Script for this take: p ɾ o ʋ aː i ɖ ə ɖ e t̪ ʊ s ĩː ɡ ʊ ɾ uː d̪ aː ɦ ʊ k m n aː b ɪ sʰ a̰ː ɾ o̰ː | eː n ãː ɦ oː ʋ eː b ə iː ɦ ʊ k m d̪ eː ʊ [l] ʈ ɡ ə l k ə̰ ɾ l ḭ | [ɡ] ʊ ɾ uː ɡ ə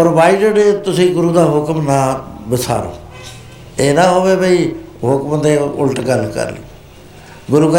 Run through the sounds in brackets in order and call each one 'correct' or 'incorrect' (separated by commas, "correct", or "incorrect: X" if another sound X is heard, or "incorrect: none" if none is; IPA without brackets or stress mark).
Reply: correct, correct